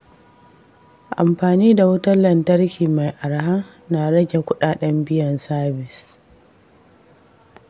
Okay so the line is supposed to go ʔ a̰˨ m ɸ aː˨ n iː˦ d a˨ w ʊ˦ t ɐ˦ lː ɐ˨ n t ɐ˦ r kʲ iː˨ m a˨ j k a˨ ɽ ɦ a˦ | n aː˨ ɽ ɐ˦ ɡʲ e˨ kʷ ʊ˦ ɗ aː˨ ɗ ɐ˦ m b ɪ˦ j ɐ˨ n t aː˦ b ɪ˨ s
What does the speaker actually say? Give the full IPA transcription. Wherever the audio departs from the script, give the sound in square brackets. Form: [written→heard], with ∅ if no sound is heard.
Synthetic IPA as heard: ʔ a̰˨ m ɸ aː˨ n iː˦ d a˨ w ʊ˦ t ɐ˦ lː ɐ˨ n t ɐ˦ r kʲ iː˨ m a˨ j [k→ʔ] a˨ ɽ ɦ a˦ | n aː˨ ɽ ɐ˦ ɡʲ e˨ kʷ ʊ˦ ɗ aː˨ ɗ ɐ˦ m b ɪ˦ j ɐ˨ n [t→s] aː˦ b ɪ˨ s